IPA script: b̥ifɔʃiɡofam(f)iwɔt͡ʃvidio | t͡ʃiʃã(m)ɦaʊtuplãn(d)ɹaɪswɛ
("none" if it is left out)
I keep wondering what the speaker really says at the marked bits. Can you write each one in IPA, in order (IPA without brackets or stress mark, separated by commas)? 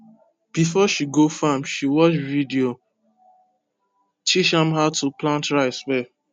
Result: ʃ, m, t